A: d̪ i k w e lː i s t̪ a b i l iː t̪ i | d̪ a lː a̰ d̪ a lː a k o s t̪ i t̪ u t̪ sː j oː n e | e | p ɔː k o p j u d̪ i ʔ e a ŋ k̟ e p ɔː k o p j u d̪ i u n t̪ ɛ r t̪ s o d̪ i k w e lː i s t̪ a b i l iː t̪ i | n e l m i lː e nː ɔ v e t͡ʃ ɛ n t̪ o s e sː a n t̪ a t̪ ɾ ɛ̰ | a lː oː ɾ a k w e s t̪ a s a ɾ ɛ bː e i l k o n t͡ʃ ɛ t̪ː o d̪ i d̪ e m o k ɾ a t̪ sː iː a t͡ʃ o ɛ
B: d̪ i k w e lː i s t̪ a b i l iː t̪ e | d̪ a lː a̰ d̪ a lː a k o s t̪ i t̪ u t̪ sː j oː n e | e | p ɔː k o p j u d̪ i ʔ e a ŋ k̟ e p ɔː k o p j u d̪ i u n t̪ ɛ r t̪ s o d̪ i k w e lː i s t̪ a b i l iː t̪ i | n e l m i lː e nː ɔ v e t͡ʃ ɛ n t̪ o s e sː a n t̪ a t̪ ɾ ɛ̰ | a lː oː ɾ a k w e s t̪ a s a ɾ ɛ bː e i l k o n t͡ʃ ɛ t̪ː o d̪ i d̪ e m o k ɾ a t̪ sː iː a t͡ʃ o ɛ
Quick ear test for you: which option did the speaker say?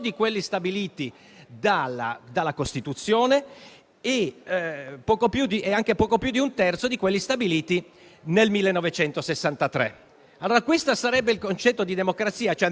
A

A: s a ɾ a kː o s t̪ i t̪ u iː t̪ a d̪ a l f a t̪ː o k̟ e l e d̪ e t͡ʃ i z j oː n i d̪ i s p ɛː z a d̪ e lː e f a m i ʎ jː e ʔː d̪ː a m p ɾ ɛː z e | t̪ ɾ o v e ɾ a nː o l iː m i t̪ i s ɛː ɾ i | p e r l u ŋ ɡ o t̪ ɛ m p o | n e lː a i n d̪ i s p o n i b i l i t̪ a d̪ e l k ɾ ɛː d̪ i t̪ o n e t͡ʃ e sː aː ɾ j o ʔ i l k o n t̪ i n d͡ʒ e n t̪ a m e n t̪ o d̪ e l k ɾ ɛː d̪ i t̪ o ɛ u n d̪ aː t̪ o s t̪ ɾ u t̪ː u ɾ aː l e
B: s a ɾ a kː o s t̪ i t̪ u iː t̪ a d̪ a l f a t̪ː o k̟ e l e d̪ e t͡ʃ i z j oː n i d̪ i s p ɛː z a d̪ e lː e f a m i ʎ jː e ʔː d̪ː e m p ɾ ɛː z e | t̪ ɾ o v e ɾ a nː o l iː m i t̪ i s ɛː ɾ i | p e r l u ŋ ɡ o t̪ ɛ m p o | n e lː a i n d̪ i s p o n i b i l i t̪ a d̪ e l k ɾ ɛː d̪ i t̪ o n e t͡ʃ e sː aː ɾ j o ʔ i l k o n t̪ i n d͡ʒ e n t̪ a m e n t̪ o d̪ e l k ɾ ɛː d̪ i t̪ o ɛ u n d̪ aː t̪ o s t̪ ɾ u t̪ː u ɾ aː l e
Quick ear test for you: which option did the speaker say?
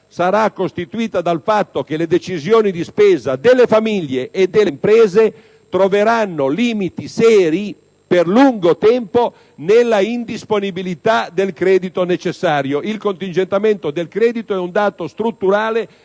B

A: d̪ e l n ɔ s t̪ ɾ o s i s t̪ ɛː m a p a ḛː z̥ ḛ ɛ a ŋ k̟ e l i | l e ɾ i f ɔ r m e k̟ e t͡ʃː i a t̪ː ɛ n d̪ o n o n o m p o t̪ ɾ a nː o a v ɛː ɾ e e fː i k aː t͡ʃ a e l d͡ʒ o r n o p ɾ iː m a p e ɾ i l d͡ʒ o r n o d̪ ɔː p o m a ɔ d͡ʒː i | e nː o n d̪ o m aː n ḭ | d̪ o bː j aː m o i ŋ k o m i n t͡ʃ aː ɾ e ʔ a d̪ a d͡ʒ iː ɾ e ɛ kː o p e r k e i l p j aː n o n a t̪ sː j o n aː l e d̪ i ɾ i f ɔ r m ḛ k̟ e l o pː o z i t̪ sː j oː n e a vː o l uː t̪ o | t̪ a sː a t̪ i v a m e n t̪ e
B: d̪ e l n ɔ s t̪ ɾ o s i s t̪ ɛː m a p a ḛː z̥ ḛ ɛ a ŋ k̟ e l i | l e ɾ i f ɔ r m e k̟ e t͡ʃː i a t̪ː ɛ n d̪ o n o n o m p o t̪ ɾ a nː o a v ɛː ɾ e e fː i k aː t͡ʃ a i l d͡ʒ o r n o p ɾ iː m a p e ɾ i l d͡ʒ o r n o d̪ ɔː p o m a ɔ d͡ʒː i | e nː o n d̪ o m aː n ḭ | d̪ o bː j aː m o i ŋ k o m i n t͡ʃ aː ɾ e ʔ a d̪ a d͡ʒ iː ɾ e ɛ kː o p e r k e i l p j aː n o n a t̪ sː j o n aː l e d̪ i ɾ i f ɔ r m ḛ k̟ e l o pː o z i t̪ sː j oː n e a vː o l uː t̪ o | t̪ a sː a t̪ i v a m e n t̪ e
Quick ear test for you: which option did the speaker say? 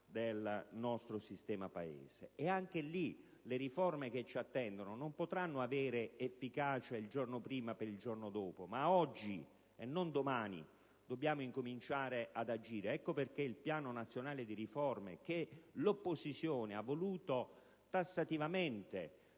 B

